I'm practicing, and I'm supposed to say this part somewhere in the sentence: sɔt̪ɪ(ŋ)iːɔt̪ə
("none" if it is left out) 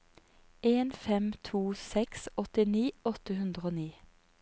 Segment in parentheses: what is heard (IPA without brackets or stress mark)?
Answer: n